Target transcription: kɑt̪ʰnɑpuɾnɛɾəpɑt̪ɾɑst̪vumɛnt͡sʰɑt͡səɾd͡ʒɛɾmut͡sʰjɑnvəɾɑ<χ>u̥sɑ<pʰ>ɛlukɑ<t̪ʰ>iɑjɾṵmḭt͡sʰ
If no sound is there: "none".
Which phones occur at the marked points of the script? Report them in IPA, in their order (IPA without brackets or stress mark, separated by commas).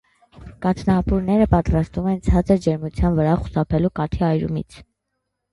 χ, pʰ, t̪ʰ